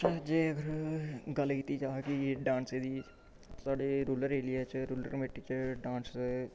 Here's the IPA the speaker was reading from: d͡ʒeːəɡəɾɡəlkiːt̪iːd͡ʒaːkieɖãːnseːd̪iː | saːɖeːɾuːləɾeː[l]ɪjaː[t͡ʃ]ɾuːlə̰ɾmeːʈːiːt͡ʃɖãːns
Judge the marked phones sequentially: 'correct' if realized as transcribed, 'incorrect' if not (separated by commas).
correct, correct